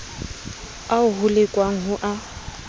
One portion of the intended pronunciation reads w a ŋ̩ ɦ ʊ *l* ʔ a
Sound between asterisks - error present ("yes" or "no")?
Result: yes